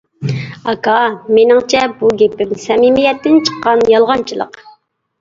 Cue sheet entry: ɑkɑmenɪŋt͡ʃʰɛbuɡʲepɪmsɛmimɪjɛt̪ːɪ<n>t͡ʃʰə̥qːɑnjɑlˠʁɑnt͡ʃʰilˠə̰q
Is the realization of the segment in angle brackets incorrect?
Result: no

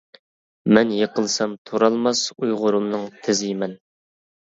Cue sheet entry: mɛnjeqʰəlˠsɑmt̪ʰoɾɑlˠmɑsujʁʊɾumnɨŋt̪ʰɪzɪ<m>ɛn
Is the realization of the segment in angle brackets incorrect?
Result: no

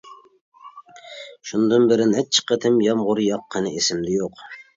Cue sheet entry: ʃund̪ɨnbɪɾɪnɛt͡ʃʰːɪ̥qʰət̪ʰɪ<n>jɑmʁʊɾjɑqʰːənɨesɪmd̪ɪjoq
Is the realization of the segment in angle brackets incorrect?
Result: yes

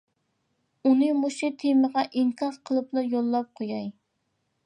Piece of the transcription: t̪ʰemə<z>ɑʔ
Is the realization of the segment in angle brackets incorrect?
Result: yes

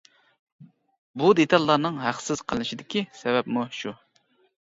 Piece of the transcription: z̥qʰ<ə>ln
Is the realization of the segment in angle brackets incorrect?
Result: no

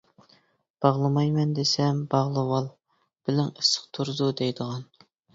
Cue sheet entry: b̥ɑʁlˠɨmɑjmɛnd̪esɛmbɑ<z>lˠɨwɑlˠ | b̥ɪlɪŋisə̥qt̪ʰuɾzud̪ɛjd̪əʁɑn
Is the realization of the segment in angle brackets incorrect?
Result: yes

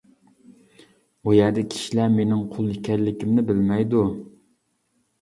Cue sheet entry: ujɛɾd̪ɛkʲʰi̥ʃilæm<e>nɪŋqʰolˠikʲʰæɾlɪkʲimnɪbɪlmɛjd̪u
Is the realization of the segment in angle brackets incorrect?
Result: no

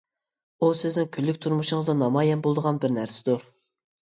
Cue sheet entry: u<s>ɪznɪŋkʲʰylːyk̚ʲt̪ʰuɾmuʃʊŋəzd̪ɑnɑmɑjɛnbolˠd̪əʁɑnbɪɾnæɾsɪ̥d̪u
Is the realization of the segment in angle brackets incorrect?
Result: no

